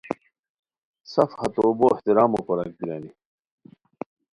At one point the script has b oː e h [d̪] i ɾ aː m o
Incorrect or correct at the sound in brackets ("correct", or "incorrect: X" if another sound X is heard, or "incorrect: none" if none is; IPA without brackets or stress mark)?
incorrect: t̪